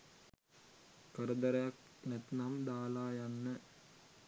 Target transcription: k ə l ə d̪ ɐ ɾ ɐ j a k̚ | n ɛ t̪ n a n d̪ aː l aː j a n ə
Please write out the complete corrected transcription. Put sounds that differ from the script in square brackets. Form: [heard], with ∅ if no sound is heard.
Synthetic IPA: k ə [ɾ] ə d̪ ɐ ɾ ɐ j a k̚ | n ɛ t̪ n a [m] d̪ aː l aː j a [nː] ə